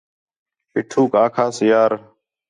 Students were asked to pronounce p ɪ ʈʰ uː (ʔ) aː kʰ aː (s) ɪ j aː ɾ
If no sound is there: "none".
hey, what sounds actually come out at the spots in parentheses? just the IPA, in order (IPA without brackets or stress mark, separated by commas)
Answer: k, s